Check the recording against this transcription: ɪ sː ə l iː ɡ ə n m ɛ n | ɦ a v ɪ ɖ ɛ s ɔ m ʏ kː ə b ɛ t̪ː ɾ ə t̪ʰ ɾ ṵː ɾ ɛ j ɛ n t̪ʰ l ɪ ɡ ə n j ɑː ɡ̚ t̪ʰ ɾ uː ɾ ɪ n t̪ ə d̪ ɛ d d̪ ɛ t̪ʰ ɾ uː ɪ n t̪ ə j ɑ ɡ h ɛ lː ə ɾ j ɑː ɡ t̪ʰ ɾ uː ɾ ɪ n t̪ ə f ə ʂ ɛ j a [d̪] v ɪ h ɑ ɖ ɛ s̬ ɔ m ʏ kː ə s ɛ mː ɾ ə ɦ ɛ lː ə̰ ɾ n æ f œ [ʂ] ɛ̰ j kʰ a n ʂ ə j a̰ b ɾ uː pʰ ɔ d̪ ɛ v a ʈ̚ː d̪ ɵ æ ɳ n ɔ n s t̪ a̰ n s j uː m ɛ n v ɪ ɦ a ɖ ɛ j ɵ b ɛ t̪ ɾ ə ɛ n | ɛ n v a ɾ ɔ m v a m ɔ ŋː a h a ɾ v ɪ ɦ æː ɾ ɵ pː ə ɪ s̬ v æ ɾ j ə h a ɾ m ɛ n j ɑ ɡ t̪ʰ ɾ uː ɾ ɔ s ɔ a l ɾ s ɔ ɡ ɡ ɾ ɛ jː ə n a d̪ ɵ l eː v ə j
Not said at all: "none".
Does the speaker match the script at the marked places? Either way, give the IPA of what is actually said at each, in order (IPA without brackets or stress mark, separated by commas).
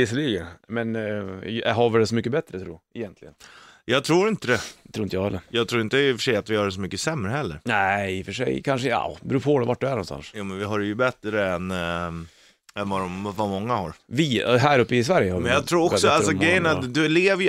t̪, ʂ